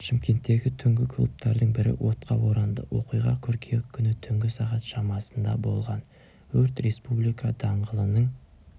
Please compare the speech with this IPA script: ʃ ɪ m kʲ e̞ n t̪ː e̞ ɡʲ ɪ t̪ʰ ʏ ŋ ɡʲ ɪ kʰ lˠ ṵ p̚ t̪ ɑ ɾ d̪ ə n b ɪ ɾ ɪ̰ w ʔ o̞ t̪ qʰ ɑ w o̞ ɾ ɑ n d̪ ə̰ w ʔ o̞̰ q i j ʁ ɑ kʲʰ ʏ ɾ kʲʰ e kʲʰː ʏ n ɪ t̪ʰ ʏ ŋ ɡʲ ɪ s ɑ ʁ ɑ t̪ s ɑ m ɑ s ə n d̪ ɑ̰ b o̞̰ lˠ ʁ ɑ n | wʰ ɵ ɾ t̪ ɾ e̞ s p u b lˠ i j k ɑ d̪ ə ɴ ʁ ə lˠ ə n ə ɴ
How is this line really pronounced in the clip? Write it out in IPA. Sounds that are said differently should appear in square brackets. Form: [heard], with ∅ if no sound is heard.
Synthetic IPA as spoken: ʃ ɪ m kʲ e̞ n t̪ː e̞ ɡʲ ɪ t̪ʰ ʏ ŋ ɡʲ ɪ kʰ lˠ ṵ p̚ t̪ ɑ ɾ d̪ ə [ɴ] b ɪ ɾ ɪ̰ w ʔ o̞ t̪ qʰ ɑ w o̞ ɾ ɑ n d̪ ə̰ w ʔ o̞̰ q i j ʁ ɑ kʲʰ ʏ ɾ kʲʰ e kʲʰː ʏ n ɪ t̪ʰ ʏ ŋ ɡʲ ɪ s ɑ ʁ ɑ t̪ [ʃ] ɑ m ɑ s ə n d̪ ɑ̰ b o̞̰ lˠ ʁ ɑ n | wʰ ɵ ɾ t̪ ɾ e̞ s p u b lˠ i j k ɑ d̪ [ɑ] ɴ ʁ ə lˠ ə n ə ɴ